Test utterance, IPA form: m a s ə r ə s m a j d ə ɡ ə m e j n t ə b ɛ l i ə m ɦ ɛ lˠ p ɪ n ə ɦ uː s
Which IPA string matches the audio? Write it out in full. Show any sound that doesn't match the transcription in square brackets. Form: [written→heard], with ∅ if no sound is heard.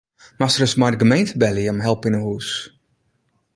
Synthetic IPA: m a s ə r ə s m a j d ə ɡ ə m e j n t ə b ɛ l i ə m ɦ ɛ lˠ p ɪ n ə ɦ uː s